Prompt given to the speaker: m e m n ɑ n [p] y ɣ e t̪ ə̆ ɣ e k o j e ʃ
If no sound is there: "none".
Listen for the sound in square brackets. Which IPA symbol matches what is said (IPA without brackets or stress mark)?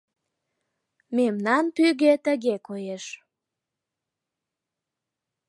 p